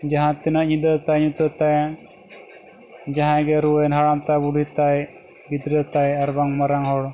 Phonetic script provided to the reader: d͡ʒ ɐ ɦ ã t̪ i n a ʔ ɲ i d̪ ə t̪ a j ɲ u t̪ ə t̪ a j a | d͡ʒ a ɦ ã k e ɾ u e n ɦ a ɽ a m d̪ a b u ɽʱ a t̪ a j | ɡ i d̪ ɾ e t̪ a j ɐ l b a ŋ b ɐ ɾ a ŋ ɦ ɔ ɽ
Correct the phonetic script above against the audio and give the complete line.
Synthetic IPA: d͡ʒ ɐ ɦ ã t̪ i n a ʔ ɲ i d̪ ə t̪ a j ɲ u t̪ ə t̪ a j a | d͡ʒ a ɦ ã ɡ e ɾ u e n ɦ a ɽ a m t̪ a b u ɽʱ i t̪ a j | ɡ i d̪ ɾ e t̪ a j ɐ ɾ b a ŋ m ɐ ɾ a ŋ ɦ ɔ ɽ